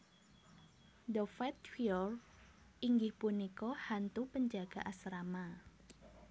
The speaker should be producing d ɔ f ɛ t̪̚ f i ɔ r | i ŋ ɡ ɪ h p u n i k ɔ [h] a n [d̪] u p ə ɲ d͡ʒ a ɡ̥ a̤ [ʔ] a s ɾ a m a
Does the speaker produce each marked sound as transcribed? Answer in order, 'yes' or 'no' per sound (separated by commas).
yes, no, yes